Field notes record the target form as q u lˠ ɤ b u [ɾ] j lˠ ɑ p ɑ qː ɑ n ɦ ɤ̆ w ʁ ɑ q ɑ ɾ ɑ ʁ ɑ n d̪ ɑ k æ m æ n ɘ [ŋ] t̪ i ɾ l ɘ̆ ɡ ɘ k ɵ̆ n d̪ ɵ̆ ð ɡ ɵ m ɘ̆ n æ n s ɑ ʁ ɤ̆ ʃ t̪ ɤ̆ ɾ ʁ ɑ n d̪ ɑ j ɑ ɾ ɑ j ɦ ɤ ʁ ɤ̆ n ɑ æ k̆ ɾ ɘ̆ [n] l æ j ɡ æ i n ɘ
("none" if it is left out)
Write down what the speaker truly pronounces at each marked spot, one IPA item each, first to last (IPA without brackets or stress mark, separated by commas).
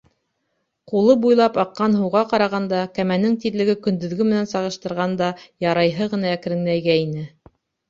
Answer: none, ŋ, ŋ